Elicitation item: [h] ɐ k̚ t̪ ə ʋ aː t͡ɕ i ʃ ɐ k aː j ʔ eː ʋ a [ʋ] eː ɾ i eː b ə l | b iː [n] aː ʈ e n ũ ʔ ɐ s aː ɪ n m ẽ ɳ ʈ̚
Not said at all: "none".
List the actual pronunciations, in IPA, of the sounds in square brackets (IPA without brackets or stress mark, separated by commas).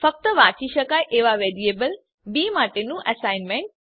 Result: f, ʋ, m